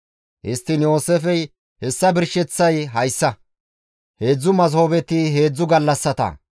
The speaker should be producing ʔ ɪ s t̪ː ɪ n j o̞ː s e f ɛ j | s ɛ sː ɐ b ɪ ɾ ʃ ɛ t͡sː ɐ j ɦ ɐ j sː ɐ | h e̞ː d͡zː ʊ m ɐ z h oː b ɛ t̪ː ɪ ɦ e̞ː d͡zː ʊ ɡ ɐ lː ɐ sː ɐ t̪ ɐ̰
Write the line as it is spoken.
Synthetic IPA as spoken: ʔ ɪ s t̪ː ɪ n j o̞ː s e f ɛ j | h ɛ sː ɐ b ɪ ɾ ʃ ɛ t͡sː ɐ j ɦ ɐ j sː ɐ | h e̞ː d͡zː ʊ m ɐ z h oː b ɛ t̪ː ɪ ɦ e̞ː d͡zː ʊ ɡ ɐ lː ɐ sː ɐ t̪ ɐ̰